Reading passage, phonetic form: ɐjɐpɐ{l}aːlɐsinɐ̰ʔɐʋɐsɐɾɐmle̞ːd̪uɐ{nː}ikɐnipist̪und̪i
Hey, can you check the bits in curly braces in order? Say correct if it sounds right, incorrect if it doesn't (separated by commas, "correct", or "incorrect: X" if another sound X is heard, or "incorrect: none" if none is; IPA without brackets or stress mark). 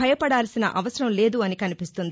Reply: incorrect: ɽ, incorrect: n